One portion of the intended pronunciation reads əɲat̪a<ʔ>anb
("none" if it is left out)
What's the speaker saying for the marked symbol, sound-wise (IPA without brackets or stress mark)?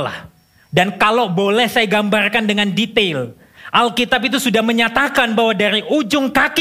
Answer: k